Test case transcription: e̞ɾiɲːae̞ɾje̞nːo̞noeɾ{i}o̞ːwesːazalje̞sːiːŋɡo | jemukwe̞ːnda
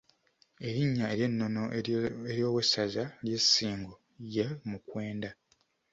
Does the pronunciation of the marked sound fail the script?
yes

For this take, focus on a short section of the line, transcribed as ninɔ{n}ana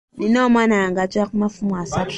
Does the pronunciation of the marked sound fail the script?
yes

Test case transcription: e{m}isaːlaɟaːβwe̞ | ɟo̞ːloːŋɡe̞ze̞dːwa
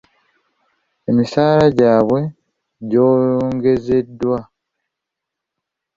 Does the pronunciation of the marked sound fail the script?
no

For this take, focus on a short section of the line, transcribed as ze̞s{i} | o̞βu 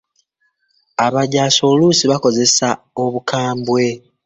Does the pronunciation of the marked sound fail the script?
yes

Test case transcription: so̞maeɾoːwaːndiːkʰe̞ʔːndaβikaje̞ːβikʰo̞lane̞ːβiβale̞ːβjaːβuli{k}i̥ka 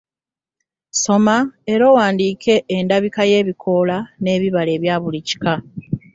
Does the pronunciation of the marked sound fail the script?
yes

